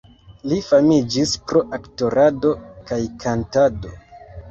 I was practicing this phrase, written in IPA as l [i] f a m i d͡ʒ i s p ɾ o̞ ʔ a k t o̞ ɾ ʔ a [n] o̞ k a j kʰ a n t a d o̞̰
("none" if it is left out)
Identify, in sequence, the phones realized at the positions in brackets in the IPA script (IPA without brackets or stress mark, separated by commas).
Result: i, d